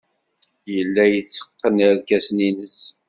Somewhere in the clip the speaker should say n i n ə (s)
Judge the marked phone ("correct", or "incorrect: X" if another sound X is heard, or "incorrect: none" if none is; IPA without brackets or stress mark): correct